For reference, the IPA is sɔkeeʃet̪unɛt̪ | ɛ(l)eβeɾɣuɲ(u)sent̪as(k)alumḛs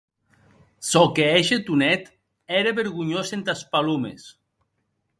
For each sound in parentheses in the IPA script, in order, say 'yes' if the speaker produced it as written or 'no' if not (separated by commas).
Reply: no, no, no